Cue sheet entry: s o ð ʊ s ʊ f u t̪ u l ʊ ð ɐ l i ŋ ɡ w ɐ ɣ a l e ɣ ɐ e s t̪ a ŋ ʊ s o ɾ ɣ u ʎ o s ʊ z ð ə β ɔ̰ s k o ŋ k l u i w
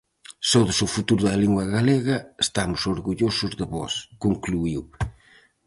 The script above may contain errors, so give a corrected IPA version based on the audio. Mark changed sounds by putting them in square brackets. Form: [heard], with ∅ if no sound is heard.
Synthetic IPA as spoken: s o ð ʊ s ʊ f u t̪ u [ɾ] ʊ ð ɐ l i ŋ ɡ w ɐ ɣ a l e ɣ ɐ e s t̪ a [m] ʊ s o ɾ ɣ u ʎ o s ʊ z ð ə β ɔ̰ s k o ŋ k l u i w